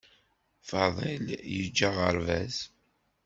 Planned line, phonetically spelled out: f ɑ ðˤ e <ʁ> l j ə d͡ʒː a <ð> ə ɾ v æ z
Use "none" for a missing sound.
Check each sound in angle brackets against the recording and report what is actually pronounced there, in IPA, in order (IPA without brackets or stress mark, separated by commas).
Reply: none, ʁ